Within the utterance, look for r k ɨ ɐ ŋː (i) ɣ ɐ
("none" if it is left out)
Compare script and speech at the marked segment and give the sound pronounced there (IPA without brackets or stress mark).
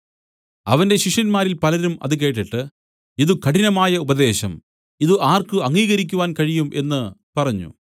iː